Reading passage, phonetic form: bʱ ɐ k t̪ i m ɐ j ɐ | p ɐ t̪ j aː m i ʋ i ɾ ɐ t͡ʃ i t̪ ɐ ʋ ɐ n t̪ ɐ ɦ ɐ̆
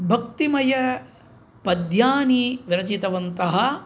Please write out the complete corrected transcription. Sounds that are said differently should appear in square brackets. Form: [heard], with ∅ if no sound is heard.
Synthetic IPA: bʱ ɐ k t̪ i m ɐ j ɐ | p ɐ [d̪] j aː [n] i ʋ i ɾ ɐ t͡ʃ i t̪ ɐ ʋ ɐ n t̪ ɐ ɦ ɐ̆